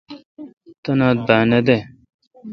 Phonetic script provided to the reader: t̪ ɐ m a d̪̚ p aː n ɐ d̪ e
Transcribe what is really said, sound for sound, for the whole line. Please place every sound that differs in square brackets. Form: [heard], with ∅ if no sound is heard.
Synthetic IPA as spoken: t̪ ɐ [n] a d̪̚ [b] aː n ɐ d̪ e